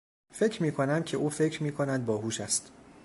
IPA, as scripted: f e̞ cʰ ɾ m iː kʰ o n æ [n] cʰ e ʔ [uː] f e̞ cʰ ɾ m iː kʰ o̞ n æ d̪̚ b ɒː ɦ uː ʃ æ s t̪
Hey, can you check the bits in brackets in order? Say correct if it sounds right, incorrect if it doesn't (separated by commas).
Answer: incorrect, correct